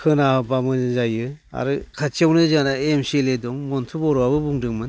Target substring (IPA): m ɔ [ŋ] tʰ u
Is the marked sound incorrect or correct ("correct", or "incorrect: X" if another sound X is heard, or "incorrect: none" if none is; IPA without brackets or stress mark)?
incorrect: n